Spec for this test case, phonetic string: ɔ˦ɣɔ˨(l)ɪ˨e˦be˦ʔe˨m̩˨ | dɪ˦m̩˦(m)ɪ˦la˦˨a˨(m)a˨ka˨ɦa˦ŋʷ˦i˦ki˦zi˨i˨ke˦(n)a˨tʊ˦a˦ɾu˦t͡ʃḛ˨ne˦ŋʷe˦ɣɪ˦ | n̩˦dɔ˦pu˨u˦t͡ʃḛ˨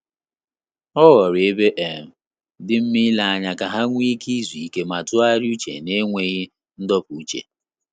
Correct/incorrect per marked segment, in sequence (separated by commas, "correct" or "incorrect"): incorrect, correct, incorrect, incorrect